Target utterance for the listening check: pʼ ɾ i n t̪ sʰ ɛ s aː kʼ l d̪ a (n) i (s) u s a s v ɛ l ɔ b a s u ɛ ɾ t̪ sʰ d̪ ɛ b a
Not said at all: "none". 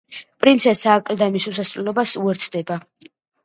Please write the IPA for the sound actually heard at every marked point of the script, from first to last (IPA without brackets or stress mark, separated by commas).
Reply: m, s